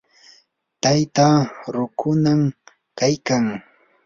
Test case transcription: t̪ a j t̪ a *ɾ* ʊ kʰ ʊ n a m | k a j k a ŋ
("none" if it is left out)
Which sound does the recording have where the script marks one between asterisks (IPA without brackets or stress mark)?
ɾ